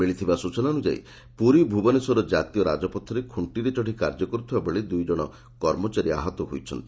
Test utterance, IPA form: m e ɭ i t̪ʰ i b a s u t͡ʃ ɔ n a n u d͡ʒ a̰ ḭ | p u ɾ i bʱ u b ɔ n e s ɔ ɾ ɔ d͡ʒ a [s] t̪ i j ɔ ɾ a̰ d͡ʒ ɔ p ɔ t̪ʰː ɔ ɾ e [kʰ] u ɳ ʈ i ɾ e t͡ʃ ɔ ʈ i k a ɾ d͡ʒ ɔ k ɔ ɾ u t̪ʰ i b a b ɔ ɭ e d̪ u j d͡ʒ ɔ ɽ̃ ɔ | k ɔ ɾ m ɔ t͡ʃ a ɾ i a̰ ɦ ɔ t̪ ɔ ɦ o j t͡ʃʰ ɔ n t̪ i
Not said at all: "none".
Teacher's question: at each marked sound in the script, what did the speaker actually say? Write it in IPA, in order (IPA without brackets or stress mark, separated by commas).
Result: none, kʰ